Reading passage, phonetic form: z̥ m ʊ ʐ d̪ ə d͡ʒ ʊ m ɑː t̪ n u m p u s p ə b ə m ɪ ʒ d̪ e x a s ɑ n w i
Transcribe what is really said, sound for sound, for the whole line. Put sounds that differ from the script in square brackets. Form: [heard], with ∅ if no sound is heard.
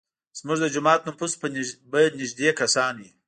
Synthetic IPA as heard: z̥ m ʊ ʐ d̪ ə d͡ʒ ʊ m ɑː t̪ n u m p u s p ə b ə [n] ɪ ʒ d̪ e [k] a s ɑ n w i